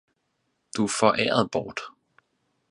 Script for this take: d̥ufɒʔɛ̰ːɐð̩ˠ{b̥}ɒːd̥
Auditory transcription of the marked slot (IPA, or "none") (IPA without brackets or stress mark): b̥